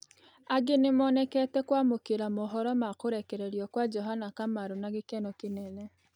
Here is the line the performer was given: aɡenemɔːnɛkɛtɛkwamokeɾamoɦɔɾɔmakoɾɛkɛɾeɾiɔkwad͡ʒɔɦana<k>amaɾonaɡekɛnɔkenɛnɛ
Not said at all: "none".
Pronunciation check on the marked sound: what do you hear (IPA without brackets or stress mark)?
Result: k